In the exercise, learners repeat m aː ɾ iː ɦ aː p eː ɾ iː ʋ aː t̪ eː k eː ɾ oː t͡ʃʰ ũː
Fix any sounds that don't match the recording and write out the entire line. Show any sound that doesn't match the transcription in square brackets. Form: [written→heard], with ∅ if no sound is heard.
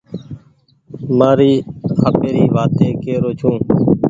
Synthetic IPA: m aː ɾ iː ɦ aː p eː ɾ iː ʋ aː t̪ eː k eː ɾ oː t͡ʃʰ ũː